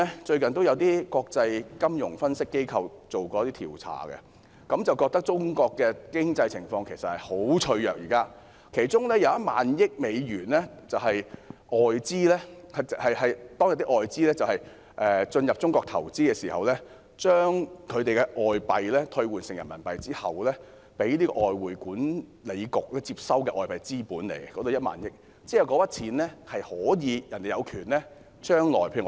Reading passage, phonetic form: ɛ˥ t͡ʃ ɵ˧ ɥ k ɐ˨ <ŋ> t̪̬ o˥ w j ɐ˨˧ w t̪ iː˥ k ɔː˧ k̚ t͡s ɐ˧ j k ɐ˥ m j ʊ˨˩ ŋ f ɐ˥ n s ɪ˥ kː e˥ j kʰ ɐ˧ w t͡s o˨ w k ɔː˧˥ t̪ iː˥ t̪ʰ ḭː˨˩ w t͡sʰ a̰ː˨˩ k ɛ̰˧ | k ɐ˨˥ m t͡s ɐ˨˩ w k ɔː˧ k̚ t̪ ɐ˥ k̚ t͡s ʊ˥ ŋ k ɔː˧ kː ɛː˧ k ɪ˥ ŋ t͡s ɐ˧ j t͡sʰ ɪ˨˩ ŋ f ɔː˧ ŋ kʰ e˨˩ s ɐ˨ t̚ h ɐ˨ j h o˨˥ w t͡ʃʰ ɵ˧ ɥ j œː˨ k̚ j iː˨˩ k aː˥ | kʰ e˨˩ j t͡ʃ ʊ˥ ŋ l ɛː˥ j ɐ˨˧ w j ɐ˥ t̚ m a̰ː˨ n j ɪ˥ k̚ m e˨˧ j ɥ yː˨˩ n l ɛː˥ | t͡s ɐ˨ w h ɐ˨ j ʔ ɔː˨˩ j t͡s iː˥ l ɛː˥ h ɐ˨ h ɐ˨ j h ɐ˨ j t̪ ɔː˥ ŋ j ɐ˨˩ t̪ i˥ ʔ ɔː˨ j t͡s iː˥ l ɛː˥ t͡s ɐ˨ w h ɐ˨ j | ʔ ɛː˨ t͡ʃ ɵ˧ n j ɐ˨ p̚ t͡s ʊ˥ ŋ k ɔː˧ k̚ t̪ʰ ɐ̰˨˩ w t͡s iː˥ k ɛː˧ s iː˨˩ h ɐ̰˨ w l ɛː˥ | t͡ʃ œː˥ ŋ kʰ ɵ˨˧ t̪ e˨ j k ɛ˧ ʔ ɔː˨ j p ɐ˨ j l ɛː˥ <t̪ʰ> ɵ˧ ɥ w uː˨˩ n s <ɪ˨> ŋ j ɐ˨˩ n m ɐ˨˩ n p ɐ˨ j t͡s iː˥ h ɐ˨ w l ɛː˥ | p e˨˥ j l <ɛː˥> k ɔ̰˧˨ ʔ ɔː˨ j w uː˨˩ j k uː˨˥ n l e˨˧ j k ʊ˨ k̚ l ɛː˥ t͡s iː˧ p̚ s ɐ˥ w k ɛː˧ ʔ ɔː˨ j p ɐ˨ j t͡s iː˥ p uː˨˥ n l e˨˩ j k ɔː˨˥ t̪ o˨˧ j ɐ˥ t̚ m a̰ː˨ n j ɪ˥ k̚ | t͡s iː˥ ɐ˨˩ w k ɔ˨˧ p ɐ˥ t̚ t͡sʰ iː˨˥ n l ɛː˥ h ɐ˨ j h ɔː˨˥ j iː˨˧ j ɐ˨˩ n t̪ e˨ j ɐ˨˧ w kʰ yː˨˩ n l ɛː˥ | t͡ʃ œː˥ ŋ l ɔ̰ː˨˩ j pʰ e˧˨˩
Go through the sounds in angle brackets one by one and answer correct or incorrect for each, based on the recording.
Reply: incorrect, correct, correct, incorrect

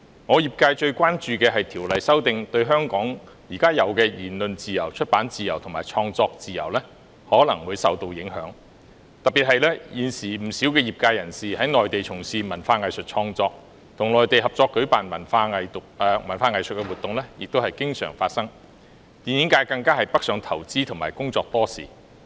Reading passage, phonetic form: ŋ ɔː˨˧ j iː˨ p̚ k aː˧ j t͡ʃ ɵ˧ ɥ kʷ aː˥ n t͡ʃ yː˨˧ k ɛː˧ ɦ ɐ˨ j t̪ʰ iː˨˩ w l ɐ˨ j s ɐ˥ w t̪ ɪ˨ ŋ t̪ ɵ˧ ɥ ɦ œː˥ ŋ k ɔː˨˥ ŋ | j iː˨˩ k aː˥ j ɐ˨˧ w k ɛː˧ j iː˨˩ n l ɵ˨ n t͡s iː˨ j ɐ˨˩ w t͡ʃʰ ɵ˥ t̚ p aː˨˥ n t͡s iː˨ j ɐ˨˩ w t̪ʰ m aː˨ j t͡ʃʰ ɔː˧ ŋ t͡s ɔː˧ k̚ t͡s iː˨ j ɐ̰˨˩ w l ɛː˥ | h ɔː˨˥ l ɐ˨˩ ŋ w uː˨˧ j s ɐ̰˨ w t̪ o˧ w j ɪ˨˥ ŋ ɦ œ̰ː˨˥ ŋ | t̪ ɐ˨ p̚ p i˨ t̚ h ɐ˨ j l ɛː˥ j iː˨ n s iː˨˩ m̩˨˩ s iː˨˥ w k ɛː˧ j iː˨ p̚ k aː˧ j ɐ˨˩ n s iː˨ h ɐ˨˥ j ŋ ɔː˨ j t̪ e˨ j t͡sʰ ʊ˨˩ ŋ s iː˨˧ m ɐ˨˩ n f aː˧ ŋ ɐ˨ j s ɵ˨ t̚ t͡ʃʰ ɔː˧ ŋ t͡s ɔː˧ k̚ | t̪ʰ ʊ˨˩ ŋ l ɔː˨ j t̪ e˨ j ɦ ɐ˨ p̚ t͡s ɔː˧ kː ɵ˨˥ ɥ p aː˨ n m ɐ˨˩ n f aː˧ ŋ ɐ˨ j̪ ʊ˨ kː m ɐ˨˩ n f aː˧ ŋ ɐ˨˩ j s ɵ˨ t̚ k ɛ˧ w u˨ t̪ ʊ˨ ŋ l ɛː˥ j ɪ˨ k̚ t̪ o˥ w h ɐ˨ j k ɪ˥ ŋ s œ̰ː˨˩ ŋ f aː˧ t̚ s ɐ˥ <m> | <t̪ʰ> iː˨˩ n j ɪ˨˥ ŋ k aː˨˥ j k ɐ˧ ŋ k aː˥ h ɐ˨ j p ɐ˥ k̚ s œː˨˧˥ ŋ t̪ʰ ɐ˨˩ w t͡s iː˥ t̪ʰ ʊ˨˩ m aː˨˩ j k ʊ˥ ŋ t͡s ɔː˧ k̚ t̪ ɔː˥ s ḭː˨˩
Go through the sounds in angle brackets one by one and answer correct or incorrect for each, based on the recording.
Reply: incorrect, incorrect

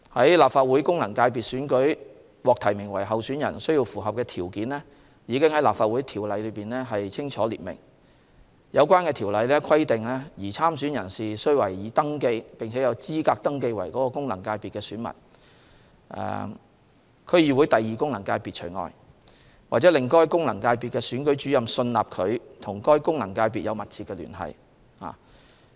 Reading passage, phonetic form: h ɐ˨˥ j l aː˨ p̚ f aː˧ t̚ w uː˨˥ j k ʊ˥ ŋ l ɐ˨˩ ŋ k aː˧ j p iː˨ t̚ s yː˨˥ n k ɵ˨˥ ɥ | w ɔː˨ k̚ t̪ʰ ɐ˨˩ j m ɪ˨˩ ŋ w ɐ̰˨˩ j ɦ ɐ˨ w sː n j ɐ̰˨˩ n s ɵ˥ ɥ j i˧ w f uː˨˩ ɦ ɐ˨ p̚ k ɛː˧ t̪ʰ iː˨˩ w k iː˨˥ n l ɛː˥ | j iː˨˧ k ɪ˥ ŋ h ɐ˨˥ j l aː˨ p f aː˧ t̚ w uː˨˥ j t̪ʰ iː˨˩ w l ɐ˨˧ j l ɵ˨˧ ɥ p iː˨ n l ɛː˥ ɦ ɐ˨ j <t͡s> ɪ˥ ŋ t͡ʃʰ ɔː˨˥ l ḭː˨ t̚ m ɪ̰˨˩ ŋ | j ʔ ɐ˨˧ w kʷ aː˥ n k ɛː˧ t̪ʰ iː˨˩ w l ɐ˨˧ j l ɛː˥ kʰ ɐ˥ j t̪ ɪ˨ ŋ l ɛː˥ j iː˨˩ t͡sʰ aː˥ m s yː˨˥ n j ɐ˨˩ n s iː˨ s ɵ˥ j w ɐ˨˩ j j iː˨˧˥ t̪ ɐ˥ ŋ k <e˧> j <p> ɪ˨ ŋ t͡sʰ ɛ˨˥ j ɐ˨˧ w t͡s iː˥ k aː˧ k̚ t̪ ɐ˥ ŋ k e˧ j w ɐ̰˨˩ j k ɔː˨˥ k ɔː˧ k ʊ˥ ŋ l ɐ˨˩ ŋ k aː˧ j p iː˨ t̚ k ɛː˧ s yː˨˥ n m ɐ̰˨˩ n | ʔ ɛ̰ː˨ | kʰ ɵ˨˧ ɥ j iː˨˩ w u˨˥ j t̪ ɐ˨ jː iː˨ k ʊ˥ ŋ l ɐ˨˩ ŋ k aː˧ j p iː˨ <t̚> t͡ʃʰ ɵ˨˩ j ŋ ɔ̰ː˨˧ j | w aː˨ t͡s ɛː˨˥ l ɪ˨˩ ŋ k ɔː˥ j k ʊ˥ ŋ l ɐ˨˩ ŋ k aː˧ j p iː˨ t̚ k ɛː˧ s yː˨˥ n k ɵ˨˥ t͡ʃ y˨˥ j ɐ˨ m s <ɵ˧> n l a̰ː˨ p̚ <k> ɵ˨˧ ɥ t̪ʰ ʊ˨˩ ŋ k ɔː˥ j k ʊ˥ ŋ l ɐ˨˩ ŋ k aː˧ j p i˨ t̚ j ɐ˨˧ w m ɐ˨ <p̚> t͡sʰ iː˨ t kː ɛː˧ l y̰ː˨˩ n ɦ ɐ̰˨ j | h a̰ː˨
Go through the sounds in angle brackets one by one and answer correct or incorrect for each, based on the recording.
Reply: incorrect, correct, correct, correct, correct, incorrect, incorrect

